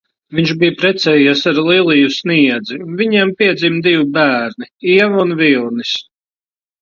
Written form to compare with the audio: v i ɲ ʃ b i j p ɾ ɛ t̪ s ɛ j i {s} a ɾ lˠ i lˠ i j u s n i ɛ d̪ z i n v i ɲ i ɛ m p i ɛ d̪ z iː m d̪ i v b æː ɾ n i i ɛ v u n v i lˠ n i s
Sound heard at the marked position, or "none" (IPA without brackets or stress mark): s